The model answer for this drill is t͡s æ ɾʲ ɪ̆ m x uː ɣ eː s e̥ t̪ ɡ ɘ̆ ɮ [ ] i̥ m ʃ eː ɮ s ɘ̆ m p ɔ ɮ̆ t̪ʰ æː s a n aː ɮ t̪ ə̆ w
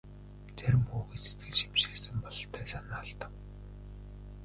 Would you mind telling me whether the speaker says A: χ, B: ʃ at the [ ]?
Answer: B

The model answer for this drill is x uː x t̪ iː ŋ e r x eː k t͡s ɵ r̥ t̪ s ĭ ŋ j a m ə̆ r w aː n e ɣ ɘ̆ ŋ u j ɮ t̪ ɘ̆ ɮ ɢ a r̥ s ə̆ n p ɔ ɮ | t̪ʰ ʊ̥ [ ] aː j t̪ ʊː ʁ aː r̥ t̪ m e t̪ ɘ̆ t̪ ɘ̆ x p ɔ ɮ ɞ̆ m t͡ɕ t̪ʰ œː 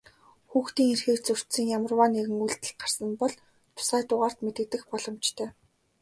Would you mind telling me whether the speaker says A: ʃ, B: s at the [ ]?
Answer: B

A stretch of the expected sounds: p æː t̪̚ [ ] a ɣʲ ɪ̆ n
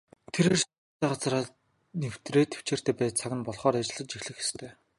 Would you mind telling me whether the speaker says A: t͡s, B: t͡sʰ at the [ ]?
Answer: B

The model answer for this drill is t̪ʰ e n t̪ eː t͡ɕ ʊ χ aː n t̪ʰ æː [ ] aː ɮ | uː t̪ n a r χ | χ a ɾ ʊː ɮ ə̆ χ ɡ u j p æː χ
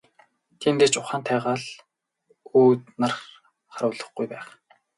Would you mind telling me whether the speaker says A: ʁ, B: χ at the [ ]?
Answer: A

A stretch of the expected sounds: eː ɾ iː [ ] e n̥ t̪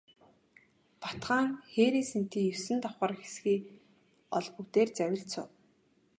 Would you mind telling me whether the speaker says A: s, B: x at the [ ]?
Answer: A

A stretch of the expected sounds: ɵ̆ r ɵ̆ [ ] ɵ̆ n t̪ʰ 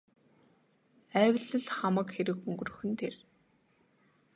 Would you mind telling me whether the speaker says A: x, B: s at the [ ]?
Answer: A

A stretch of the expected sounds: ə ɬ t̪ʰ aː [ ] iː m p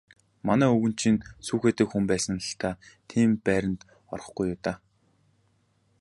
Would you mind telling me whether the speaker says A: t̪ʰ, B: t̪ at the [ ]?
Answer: A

